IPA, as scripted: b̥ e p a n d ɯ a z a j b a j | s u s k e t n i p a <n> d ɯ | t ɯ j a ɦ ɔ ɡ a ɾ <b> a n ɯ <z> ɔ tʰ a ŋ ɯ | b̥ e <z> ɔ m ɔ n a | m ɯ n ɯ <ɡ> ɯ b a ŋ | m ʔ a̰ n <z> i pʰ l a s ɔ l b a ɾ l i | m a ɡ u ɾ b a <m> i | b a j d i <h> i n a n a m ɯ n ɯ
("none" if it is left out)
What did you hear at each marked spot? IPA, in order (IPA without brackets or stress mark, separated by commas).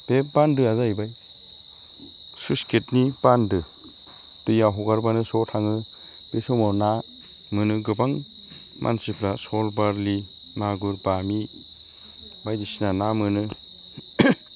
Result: n, b, s, s, ɡ, s, m, s